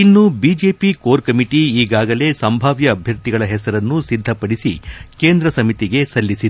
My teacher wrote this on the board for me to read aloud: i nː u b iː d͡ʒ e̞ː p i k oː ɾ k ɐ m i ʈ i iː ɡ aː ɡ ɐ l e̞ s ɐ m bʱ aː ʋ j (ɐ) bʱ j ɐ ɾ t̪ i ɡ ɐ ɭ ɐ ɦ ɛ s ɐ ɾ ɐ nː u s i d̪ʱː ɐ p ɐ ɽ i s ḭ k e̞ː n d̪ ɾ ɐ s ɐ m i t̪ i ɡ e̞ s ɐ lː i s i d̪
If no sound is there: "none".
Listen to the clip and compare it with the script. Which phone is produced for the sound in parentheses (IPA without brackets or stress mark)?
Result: ɐː